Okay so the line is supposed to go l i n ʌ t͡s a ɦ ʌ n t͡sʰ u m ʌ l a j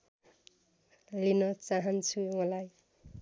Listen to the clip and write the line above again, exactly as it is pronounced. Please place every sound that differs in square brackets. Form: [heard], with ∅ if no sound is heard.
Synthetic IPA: l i n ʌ t͡s a ɦ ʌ n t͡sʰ u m ʌ l a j

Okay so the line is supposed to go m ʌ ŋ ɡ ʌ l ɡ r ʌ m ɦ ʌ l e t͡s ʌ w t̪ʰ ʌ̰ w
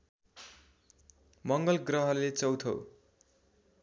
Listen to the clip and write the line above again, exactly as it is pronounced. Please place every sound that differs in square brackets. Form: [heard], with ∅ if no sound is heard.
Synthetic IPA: m ʌ ŋ ɡ ʌ l ɡ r ʌ [∅] ɦ ʌ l e t͡s ʌ w t̪ʰ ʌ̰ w

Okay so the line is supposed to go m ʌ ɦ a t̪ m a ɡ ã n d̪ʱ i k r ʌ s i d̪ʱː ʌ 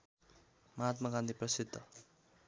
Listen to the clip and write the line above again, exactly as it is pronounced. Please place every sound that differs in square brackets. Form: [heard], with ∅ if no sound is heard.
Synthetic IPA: m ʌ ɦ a t̪ m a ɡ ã n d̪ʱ i [p] r ʌ s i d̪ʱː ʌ

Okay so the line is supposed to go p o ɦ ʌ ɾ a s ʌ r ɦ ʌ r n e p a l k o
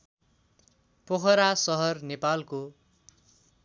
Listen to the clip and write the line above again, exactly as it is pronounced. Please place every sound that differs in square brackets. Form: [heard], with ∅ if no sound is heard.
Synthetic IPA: p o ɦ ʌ ɾ a s ʌ [∅] ɦ ʌ r n e p a l k o

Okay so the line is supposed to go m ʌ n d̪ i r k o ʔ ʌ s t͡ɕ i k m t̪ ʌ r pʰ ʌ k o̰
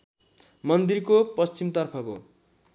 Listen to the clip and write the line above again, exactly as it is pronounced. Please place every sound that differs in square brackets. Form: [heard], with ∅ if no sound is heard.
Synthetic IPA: m ʌ n d̪ i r k o [p] ʌ s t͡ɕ i [∅] m t̪ ʌ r pʰ ʌ k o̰

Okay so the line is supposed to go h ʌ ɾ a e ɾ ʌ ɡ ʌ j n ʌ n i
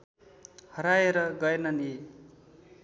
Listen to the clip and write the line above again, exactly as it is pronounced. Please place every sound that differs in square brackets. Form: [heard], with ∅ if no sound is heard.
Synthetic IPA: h ʌ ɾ a e ɾ ʌ ɡ ʌ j n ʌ n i

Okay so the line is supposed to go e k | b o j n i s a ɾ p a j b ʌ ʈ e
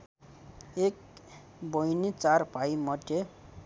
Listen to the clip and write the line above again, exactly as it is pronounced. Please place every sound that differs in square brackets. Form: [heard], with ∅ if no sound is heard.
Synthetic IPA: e k | b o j n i [t͡s] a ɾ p a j [m] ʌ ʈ e

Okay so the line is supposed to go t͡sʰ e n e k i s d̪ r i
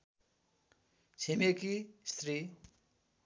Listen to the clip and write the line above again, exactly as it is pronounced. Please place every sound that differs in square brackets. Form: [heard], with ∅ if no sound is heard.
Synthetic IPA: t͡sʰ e [m] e k i s [t̪] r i

